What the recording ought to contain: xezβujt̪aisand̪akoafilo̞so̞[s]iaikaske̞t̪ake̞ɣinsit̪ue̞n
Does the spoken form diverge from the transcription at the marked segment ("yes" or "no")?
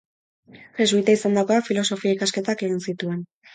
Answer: yes